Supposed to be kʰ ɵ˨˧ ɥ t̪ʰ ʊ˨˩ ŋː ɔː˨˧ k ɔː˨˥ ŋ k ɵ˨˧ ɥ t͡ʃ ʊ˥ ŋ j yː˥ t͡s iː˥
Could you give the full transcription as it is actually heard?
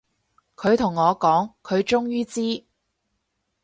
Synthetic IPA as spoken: kʰ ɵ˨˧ ɥ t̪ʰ ʊ˨˩ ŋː ɔː˨˧ k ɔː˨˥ ŋ kʰ ɵ˨˧ ɥ t͡ʃ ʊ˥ ŋ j yː˥ t͡s iː˥